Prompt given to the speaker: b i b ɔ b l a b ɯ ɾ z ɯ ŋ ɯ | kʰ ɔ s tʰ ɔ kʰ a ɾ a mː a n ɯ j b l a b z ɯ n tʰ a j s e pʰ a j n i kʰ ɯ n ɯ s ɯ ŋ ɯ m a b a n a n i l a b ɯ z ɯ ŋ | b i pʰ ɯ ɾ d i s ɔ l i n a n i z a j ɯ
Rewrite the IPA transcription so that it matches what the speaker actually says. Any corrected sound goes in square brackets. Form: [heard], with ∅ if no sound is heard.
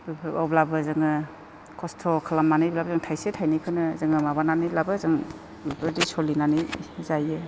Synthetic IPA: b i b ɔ b l a b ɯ [∅] z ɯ ŋ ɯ | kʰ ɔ s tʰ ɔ kʰ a [l] a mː a n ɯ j b l a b z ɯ [ŋ] tʰ a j s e [tʰ] a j n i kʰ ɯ n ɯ [z] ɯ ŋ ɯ m a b a n a n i l a b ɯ z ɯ ŋ | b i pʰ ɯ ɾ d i s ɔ l i n a n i z a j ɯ